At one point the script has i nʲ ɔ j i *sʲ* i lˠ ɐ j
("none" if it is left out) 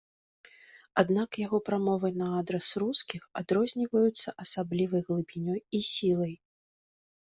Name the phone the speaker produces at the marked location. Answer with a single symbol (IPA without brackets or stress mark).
sʲ